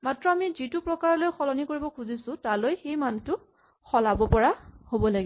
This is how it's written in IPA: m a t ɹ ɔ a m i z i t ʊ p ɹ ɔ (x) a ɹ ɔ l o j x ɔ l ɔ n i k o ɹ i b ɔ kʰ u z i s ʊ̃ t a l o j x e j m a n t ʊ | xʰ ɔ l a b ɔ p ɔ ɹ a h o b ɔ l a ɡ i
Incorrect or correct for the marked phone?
incorrect: k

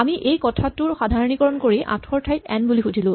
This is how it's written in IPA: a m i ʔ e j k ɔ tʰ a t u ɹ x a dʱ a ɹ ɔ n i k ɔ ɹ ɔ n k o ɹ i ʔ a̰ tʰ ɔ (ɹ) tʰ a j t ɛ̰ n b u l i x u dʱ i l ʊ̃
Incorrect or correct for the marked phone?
correct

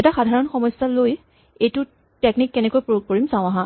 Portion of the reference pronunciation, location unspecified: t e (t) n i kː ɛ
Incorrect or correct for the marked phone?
incorrect: k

